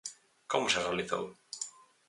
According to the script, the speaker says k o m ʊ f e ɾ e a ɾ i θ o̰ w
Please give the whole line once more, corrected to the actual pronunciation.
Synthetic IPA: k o m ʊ s e r e a l i θ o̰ w